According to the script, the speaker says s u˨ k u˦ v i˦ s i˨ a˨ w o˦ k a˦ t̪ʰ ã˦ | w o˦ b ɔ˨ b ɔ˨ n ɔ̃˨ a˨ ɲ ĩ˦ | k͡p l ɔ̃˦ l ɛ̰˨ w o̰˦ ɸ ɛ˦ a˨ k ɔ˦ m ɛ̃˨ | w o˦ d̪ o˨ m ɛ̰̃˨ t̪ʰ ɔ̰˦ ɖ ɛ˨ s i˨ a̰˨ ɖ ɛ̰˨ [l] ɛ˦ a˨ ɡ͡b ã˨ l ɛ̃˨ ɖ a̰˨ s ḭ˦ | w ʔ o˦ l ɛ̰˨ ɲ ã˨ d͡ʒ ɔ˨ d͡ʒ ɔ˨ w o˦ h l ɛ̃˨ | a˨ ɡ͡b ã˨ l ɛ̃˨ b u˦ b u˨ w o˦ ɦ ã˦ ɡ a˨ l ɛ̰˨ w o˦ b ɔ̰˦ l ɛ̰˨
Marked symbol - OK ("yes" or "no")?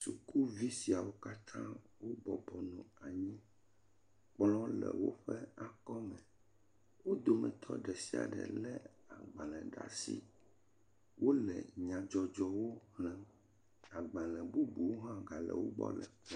yes